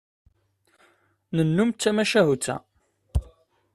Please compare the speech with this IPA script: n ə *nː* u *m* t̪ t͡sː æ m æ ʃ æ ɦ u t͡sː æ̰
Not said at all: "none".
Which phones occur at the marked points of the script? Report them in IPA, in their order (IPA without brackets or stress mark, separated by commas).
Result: nː, m